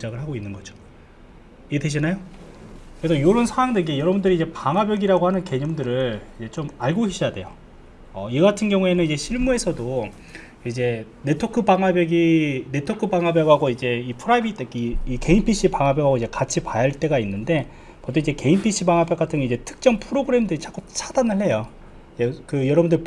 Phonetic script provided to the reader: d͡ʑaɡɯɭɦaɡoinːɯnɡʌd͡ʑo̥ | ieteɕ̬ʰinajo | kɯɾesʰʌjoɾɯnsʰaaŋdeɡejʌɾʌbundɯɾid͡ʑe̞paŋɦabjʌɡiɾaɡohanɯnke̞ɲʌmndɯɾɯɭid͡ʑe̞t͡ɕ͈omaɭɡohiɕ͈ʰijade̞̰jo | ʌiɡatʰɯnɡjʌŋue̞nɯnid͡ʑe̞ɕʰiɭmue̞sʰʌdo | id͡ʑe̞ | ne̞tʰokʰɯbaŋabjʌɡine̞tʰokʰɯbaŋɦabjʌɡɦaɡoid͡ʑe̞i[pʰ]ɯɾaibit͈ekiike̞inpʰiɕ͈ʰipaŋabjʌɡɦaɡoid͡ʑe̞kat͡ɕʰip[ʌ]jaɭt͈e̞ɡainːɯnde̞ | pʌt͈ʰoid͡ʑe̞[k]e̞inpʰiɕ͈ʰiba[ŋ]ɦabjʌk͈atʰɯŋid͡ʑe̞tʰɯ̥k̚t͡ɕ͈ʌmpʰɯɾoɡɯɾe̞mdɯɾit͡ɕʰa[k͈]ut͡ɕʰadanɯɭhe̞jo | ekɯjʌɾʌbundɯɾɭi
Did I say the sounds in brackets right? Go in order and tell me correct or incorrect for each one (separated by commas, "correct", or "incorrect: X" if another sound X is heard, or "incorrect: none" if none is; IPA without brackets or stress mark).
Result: correct, incorrect: a, correct, correct, correct